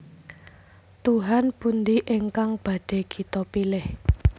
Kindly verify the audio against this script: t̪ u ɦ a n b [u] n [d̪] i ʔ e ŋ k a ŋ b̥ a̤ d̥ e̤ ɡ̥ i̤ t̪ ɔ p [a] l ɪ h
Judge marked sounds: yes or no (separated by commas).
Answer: yes, yes, no